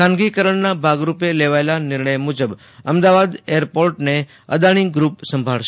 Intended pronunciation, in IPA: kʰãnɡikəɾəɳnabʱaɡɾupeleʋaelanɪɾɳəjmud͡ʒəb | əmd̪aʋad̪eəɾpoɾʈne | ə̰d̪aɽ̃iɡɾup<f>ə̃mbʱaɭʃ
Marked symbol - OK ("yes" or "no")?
no